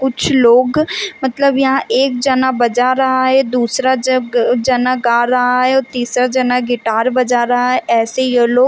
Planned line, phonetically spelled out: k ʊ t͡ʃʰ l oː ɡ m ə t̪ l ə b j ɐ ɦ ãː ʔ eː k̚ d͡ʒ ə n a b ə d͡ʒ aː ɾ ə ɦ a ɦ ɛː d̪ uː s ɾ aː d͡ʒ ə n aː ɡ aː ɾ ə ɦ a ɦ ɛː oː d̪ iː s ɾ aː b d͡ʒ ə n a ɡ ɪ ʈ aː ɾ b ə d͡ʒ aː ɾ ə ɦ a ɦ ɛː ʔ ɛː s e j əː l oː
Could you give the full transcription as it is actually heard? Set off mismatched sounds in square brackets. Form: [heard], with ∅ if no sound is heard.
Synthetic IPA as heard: k ʊ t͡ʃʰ l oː ɡ m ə t̪ l ə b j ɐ ɦ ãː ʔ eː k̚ d͡ʒ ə n a b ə d͡ʒ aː ɾ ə ɦ a ɦ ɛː d̪ uː s ɾ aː d͡ʒ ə n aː ɡ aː ɾ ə ɦ a ɦ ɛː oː [t̪] iː s ɾ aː [∅] d͡ʒ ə n a ɡ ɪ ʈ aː ɾ b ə d͡ʒ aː ɾ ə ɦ a ɦ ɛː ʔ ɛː s e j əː l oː

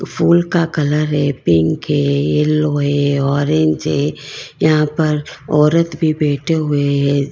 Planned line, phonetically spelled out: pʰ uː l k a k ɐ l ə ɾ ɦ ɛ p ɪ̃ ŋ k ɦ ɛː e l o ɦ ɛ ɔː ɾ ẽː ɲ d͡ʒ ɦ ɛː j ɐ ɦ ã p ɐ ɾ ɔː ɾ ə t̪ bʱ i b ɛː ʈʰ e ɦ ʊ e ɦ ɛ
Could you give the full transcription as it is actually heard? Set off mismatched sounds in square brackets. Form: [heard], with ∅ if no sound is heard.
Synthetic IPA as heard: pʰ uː l k a k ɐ l ə ɾ ɦ ɛ p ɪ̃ ŋ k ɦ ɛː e l o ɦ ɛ ɔː ɾ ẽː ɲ d͡ʒ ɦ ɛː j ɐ ɦ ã p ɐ ɾ ɔː ɾ ə t̪ bʱ i b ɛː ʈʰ e ɦ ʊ e ɦ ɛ

